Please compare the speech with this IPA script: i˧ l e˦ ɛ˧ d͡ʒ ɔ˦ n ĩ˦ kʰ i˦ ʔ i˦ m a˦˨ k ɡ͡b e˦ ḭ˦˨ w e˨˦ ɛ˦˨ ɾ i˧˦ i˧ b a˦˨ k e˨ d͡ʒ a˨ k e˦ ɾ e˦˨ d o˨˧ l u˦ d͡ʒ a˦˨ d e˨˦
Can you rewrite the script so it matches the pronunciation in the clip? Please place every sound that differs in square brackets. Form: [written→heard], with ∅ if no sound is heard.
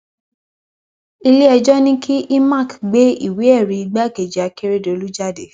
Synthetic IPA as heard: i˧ l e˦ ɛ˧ d͡ʒ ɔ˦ n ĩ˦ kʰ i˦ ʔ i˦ m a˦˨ k ɡ͡b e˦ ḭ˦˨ w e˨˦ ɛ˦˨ ɾ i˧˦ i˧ [b→ɡ͡b] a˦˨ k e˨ d͡ʒ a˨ k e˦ ɾ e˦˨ d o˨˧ l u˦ d͡ʒ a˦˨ d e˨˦